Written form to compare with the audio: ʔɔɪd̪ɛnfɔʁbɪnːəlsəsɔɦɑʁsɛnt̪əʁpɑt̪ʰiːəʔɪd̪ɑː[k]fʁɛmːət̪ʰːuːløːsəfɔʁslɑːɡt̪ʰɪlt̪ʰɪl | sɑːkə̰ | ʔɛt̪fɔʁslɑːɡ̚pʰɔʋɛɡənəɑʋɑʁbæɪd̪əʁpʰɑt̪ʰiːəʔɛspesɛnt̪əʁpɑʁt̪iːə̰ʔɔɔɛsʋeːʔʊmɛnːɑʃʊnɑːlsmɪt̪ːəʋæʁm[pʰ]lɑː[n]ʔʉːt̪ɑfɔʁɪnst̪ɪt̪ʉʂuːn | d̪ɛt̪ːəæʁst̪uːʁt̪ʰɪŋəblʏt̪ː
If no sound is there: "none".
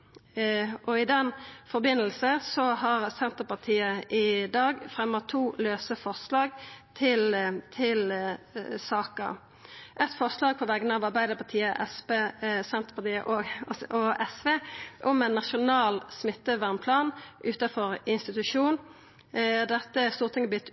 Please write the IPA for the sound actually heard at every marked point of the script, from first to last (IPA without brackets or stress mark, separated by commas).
ɡ, pʰ, n